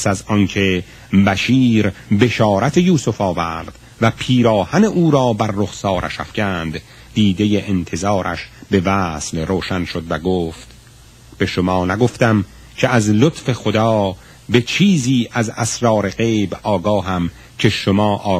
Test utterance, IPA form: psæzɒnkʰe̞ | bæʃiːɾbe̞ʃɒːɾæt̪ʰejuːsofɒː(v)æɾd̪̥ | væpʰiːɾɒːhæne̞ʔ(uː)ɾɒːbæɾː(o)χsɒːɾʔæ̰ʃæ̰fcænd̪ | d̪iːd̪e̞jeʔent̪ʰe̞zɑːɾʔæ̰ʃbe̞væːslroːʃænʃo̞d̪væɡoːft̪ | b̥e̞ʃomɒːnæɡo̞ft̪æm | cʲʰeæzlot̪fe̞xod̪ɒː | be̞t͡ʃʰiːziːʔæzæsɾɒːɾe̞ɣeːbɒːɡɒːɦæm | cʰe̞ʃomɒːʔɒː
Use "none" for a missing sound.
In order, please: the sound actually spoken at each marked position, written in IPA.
v, uː, o

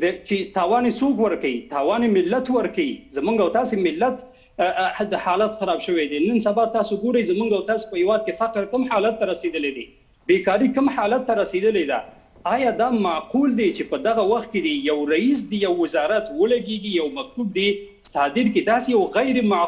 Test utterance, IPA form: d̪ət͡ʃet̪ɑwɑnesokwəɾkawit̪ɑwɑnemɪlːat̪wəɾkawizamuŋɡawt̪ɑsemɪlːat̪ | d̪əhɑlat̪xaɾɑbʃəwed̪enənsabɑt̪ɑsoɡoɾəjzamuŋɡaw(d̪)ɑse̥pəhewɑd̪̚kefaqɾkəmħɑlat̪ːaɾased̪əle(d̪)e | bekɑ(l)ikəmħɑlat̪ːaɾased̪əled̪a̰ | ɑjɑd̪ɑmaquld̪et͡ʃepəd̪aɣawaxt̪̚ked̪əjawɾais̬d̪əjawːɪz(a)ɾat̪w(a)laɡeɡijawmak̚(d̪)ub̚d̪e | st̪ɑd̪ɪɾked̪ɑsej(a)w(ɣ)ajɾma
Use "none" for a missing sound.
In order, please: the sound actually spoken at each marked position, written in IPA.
t̪, d̪, ɾ, ɑ, ə, t̪, a, ɣ

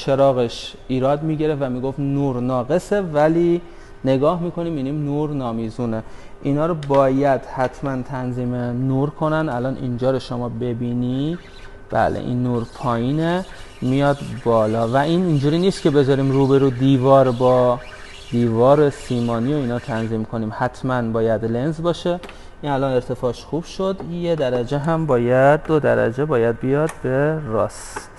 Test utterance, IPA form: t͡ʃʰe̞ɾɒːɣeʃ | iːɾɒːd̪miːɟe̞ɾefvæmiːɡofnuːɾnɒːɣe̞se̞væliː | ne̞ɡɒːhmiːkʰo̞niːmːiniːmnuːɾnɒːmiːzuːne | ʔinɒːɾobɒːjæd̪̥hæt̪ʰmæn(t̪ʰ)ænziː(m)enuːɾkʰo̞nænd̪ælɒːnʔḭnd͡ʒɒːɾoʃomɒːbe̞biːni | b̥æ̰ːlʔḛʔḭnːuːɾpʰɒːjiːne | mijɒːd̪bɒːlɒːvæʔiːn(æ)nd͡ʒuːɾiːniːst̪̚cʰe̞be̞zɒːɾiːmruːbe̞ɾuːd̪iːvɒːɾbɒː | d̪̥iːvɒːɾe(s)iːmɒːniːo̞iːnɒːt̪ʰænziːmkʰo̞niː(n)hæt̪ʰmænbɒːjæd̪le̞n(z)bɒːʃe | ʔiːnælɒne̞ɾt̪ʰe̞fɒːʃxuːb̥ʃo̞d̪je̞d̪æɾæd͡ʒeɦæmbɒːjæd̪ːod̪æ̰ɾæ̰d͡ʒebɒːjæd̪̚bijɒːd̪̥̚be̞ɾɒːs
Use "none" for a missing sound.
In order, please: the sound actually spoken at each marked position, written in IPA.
t̪ʰ, m, i, s, m, z

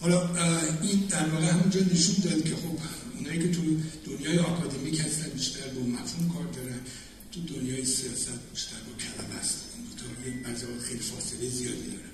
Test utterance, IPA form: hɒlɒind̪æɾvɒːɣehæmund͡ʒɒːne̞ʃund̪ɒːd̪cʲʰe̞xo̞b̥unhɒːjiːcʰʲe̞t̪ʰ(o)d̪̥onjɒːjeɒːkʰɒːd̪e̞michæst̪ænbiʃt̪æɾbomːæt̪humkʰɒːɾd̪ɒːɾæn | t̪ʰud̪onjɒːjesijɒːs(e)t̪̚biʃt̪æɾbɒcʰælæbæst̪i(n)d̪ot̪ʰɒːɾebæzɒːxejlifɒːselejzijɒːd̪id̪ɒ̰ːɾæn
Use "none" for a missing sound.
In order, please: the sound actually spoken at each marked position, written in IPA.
u, æ, n

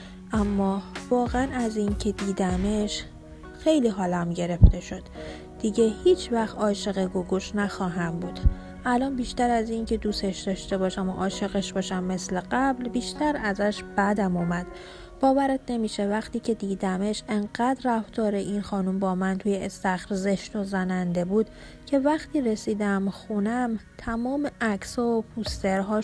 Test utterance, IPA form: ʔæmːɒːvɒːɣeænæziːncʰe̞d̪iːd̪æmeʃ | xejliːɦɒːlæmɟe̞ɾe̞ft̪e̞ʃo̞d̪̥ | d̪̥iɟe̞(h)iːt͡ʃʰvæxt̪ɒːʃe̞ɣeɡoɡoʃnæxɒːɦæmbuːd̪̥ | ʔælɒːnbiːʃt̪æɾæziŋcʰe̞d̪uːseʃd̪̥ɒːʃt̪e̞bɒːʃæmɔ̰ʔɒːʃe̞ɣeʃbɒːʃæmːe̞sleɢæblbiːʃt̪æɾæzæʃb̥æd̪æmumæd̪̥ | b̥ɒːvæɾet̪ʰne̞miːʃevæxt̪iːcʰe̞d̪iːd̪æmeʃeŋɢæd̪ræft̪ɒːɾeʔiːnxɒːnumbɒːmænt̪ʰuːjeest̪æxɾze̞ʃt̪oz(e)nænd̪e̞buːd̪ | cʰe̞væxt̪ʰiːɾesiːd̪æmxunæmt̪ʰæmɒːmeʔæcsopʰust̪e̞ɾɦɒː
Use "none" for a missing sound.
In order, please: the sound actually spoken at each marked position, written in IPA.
h, æ

